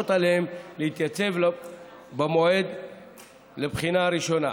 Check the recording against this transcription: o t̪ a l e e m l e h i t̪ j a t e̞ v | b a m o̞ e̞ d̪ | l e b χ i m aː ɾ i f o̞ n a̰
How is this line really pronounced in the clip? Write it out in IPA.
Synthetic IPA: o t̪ a l e e m l e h i t̪ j a t͡s e̞ v | b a m o̞ e̞ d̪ | l e b χ i n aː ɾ i ʃ o̞ n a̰